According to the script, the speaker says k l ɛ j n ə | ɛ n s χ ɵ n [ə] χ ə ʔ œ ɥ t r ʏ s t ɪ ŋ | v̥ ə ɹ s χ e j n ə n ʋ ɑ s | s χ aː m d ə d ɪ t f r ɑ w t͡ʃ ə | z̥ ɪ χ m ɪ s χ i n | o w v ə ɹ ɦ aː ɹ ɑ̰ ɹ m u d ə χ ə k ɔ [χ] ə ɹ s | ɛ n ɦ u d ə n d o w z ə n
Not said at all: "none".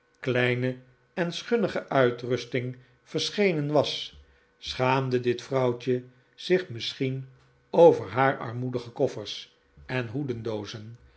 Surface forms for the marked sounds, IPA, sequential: ə, f

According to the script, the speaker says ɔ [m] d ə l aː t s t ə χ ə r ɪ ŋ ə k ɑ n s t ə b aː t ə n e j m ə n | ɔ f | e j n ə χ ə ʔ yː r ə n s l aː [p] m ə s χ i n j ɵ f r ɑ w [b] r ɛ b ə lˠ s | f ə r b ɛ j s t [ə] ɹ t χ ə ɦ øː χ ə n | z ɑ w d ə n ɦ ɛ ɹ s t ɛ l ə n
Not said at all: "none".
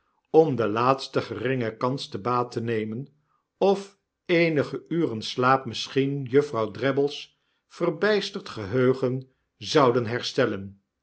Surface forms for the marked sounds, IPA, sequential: m, p, d, ə

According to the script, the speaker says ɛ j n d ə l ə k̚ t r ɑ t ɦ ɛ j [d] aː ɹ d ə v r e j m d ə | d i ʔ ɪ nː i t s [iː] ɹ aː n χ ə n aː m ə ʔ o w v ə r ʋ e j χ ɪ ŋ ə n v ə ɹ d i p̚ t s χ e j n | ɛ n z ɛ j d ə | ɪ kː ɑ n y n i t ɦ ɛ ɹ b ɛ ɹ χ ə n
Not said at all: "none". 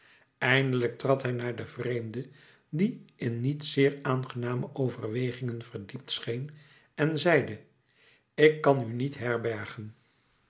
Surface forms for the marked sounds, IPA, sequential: n, ɪː

